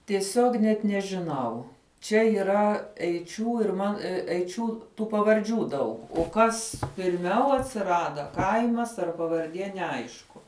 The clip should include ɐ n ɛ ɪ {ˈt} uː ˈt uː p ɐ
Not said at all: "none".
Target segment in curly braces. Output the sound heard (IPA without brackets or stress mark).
t͡ʃʲ